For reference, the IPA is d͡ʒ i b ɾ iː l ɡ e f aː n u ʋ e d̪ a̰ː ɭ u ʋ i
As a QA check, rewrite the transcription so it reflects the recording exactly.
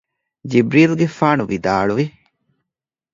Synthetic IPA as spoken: d͡ʒ i b ɾ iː l ɡ e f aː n u ʋ i d̪ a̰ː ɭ u ʋ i